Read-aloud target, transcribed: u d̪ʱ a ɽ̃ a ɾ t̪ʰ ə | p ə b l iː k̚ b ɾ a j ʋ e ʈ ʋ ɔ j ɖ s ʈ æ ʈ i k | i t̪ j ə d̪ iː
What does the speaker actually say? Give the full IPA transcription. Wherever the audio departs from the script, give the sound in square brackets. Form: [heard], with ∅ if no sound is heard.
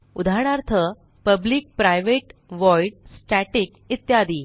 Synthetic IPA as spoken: u d̪ʱ a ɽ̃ a ɾ t̪ʰ ə | p ə b l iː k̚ [p] ɾ a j ʋ e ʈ ʋ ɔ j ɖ s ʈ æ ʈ i k | i t̪ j [a] d̪ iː